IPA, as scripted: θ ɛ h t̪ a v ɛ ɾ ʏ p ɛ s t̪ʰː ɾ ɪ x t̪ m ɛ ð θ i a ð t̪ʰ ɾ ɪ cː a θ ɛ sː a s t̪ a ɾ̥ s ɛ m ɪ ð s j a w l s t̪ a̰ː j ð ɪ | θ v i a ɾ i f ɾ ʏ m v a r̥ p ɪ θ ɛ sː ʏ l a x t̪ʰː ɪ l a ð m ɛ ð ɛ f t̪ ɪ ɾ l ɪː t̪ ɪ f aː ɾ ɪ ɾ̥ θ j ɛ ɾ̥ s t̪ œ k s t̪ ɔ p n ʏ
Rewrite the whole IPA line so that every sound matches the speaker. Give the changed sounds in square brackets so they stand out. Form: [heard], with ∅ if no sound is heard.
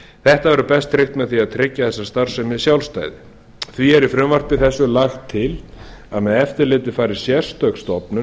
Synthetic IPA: θ ɛ h t̪ a v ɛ ɾ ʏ p ɛ s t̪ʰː ɾ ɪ x t̪ m ɛ ð θ i a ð t̪ʰ ɾ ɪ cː a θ ɛ sː a s t̪ a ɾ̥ s ɛ m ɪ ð s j a w l s t̪ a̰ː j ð ɪ | θ v i [ɛ] ɾ i f ɾ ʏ m v a r̥ p ɪ θ ɛ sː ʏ l a x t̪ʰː ɪ l a ð m ɛ ð ɛ f t̪ ɪ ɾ l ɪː t̪ ɪ f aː ɾ ɪ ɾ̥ [s] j ɛ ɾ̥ s t̪ œ k s t̪ ɔ p n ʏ

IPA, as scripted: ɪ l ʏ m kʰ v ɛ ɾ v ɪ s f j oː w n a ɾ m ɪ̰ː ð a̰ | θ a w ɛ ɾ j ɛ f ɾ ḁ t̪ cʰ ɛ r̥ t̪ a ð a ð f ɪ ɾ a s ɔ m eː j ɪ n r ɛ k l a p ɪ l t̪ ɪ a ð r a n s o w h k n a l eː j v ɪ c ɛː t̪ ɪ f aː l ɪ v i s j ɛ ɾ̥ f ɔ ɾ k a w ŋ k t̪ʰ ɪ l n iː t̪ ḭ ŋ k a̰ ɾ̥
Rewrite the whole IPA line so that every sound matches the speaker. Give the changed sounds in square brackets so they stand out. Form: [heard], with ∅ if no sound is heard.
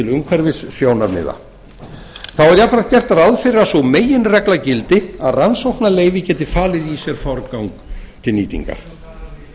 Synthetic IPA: ɪ l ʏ m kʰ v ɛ ɾ v ɪ s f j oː w n a ɾ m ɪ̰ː ð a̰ | θ a w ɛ ɾ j [a] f ɾ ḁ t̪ [c] ɛ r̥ t̪ a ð a ð f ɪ ɾ a s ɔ m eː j ɪ n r ɛ k l a [c] ɪ l t̪ ɪ a ð r a n s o w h k n a l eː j v ɪ c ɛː t̪ ɪ f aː l ɪ [ð] i s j ɛ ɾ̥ f ɔ ɾ k a w ŋ k t̪ʰ ɪ l n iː t̪ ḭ ŋ k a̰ ɾ̥

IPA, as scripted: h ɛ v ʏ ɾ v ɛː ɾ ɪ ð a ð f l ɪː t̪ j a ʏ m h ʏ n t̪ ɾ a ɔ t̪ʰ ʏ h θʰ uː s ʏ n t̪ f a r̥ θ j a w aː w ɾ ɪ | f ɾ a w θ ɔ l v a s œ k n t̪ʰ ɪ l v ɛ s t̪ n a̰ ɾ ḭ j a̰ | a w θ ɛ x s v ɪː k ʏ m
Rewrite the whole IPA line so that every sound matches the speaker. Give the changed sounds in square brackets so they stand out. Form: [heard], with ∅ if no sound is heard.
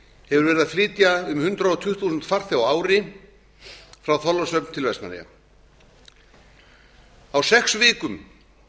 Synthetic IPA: h ɛ v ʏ ɾ v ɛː ɾ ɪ ð a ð f l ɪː t̪ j a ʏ m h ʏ n t̪ ɾ a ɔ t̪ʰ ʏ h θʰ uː s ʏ n t̪ f a r̥ θ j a w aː w ɾ ɪ | f ɾ a w θ ɔ l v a s œ [p] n t̪ʰ ɪ l v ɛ s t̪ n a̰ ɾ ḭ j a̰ | a w [s] ɛ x s v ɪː k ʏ m

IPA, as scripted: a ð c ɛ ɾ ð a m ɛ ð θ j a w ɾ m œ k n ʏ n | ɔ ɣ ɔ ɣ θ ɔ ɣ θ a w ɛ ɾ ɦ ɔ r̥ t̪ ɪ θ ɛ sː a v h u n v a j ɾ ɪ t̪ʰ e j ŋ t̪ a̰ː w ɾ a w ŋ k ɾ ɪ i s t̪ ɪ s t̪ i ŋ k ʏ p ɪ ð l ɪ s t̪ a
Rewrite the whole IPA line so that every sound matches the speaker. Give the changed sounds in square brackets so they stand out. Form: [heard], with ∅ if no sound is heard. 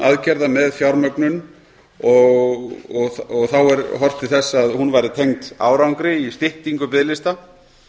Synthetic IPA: a ð c ɛ ɾ ð a m ɛ ð [f] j a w ɾ m œ k n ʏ n | ɔ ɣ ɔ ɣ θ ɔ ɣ θ a w ɛ ɾ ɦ ɔ r̥ t̪ ɪ θ ɛ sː a [ð] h u n v a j ɾ ɪ t̪ʰ e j ŋ t̪ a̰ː w ɾ a w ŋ k ɾ ɪ i s t̪ ɪ [h] t̪ i ŋ k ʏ p ɪ ð l ɪ s t̪ a

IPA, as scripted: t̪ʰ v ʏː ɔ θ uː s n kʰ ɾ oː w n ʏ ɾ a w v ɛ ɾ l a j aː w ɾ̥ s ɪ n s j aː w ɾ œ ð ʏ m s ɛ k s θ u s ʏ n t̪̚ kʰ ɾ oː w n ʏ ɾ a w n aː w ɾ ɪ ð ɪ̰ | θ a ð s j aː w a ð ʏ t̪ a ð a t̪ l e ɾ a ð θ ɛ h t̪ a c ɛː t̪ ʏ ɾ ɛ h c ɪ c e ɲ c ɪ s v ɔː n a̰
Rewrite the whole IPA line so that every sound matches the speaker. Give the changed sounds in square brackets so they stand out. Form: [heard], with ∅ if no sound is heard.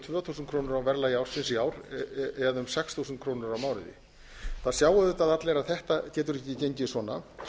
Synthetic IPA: t̪ʰ v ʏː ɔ θ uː s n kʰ ɾ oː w n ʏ ɾ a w v ɛ ɾ l a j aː w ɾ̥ s ɪ n s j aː w ɾ [ɛ] ð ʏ m s ɛ k s θ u s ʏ n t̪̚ kʰ ɾ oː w n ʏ ɾ a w [m] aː w ɾ ɪ ð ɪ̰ | θ a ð s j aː w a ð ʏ t̪ a ð a t̪ l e ɾ a ð θ ɛ h t̪ a c ɛː t̪ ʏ ɾ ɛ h c ɪ c e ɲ c ɪ s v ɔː n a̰

